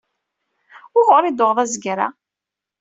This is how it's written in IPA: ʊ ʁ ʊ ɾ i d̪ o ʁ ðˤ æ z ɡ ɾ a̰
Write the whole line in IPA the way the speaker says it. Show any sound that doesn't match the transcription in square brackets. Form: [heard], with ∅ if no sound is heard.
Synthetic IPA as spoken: ʊ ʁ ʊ ɾ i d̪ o ʁ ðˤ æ z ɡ ɾ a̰

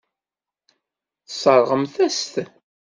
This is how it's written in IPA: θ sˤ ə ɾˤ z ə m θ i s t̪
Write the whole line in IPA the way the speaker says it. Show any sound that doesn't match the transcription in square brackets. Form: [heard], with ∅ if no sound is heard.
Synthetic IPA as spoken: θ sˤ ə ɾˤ [ʁ] ə m θ [æ] s t̪

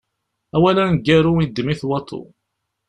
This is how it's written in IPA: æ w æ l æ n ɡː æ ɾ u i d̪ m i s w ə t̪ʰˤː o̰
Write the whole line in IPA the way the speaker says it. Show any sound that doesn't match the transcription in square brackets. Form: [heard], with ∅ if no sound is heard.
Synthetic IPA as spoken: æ w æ l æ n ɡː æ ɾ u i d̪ m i [θ] w [ɑ] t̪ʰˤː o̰

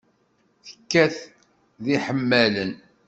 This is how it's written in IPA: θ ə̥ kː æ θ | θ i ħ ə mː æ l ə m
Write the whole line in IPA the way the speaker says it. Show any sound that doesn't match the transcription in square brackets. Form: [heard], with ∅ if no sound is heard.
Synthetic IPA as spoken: θ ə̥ kː æ θ | [ð] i ħ ə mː æ l ə [n]

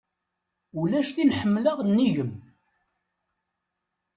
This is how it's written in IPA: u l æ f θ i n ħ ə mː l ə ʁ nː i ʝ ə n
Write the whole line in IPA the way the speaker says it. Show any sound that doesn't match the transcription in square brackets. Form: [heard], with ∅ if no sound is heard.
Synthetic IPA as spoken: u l æ [ʃ] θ i n ħ ə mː l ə ʁ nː i ʝ ə [m]

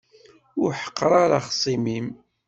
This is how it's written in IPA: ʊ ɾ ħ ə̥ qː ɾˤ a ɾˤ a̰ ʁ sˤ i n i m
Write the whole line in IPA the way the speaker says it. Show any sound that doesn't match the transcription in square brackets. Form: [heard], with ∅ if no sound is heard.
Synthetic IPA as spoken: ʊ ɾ ħ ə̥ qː ɾˤ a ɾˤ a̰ [χ] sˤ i [m] i m

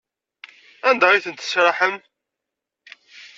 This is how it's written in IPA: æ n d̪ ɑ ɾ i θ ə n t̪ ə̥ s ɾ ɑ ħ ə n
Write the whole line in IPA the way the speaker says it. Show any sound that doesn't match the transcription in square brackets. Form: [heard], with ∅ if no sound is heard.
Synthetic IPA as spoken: æ n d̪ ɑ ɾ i θ ə n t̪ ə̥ s ɾ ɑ ħ ə [m]

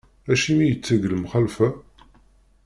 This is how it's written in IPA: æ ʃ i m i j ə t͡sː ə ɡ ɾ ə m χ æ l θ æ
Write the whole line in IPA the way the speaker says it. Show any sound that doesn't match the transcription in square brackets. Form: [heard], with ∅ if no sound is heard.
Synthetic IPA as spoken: æ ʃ i m i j ə t͡sː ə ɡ [l] ə m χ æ l [f] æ

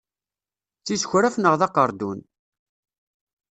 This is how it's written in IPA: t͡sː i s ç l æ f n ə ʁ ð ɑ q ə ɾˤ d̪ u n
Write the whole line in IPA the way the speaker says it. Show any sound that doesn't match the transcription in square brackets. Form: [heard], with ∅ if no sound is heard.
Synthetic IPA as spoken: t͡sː i s ç [ɾ] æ f n ə ʁ ð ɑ q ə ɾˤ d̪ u n

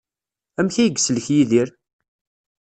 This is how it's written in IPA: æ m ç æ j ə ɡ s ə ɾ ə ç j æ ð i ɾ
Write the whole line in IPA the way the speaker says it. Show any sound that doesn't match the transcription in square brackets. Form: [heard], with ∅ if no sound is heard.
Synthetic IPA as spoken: æ m ç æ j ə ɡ s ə [l] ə ç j [i] ð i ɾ

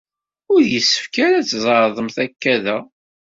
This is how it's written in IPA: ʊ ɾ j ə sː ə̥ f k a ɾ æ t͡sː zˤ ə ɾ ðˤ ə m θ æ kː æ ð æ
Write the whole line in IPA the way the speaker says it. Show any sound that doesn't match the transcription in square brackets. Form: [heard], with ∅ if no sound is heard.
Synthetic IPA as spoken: ʊ ɾ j ə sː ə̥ f k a ɾ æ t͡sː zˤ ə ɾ ðˤ ə m θ æ kː æ ð æ

